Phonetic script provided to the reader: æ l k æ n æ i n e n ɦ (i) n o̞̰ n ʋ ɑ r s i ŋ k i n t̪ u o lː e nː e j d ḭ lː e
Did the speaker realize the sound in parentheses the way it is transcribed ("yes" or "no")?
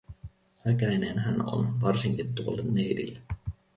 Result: no